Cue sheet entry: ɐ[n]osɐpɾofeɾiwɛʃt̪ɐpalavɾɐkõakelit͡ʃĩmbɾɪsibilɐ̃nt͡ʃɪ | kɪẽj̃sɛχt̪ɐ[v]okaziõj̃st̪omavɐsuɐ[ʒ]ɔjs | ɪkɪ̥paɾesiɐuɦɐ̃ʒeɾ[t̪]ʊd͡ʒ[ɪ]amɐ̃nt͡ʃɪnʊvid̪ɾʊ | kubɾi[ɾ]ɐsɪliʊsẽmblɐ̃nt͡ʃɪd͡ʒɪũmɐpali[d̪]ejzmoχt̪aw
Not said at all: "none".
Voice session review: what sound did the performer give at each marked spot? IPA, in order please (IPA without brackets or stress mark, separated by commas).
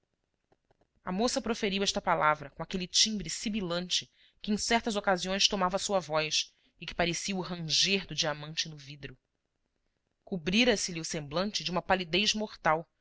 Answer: m, z, v, d̪, i, ɾ, d̪